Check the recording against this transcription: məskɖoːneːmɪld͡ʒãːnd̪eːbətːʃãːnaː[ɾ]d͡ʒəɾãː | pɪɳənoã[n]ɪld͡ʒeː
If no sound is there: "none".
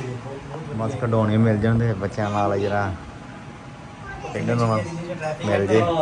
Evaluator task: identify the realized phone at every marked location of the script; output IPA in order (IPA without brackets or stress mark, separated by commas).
l, m